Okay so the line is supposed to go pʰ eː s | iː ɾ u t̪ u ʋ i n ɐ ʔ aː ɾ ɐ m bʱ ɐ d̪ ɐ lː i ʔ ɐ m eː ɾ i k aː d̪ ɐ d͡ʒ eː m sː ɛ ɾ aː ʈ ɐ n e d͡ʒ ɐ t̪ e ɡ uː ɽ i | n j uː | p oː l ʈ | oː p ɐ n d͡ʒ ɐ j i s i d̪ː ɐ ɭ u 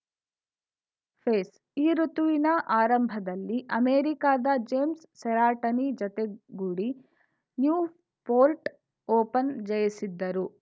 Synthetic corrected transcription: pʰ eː s | iː ɾ u t̪ u ʋ i n ɐ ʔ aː ɾ ɐ m bʱ ɐ d̪ ɐ lː i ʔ ɐ m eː ɾ i k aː d̪ ɐ d͡ʒ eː m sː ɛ ɾ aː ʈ ɐ n i d͡ʒ ɐ t̪ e ɡ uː ɽ i | n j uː | p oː l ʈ | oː p ɐ n d͡ʒ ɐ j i s i d̪ː ɐ ɾ u